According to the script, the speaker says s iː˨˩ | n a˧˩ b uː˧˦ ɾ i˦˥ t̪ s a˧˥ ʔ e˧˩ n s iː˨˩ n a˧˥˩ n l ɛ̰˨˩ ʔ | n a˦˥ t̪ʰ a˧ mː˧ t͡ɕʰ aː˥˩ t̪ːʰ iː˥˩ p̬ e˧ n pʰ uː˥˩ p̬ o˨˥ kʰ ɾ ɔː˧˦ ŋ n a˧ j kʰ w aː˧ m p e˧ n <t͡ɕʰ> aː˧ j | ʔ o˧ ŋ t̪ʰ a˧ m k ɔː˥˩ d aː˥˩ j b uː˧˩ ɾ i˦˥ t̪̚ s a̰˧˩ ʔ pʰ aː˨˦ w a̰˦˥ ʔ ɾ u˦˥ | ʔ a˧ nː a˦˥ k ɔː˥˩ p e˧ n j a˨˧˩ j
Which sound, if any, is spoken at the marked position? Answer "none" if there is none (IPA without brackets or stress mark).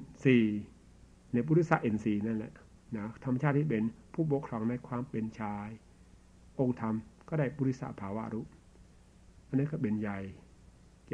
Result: t͡ɕʰ